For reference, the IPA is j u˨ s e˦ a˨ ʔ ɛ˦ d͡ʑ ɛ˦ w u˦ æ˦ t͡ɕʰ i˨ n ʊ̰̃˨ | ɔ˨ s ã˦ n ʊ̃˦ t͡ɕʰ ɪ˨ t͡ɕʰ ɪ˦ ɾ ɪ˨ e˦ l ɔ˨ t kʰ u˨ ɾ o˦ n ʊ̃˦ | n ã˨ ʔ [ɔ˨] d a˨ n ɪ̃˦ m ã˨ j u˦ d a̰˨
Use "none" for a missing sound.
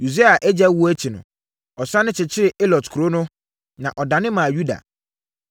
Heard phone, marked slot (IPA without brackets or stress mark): ɔ˨